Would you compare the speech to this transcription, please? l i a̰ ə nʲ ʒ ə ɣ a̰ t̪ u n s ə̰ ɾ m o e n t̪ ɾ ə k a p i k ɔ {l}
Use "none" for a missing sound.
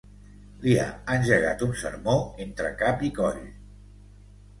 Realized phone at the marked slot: ʎ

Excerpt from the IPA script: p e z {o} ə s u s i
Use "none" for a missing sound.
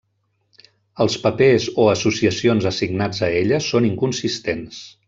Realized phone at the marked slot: o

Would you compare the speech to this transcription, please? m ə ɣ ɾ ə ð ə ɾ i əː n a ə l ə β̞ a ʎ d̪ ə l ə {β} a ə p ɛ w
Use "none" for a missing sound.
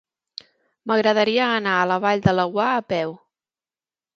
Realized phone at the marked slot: w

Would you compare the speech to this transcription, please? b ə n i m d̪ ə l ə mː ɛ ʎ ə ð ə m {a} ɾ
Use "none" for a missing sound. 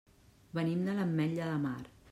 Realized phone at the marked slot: a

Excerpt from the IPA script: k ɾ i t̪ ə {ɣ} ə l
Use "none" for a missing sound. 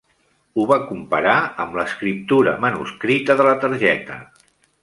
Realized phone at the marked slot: ð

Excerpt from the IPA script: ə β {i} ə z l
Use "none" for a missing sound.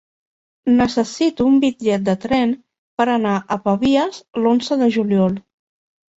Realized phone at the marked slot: i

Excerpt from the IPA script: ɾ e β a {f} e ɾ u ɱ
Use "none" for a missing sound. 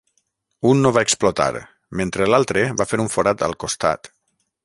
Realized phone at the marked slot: f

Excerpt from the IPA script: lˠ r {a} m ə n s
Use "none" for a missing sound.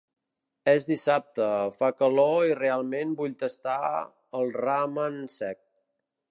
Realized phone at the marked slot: a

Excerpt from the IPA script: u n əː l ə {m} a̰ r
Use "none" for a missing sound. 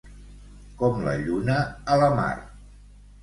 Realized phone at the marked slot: m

